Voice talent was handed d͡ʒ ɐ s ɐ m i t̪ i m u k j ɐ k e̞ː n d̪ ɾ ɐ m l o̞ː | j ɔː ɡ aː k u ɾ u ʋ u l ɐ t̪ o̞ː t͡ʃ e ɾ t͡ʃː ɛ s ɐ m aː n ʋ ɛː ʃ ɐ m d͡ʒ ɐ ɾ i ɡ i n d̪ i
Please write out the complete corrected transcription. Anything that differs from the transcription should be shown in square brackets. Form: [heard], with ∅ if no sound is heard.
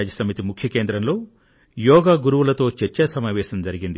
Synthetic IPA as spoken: d͡ʒ ɐ s ɐ m i t̪ i m u [kʰ] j ɐ k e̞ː n d̪ ɾ ɐ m l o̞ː | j ɔː ɡ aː [ɡ] u ɾ u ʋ u l ɐ t̪ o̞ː t͡ʃ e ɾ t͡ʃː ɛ s ɐ m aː [∅] ʋ ɛː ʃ ɐ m d͡ʒ ɐ ɾ i ɡ i n d̪ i